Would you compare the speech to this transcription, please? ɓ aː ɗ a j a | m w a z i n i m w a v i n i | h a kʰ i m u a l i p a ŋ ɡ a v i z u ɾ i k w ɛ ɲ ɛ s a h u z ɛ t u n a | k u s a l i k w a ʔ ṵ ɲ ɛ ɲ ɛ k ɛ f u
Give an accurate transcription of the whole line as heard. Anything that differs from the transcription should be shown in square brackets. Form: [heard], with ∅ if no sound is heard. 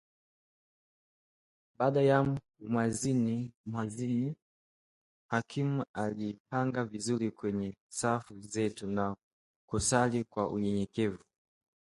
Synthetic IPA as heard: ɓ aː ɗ a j a | m w a z i n i m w a [z] i n i | h a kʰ i m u a l i p a ŋ ɡ a v i z u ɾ i k w ɛ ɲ ɛ s a [f] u z ɛ t u n a | k u s a l i k w a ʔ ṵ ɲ ɛ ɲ ɛ k ɛ [v] u